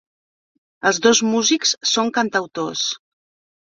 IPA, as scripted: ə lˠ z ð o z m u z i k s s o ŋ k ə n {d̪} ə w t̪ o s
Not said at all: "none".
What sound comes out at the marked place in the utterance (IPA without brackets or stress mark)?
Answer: t̪